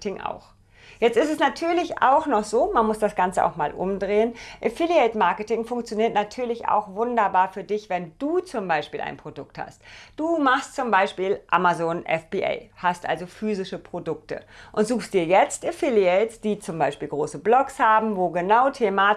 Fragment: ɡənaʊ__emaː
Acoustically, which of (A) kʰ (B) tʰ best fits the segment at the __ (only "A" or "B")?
B